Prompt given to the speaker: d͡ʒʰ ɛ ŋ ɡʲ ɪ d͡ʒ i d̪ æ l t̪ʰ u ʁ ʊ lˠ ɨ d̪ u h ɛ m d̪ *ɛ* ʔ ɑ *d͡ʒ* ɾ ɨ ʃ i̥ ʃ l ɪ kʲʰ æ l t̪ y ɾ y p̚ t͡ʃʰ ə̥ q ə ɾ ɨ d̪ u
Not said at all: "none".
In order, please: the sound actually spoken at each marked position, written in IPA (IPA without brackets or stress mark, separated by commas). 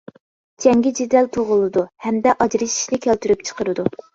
ɛ, d͡ʒ